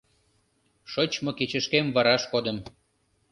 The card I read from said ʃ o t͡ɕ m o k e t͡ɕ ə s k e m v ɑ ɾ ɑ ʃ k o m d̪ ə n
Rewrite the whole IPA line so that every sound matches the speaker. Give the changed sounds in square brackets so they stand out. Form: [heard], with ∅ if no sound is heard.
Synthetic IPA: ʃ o t͡ɕ m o k e t͡ɕ ə [ʃ] k e m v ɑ ɾ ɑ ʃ k o [∅] d̪ ə [m]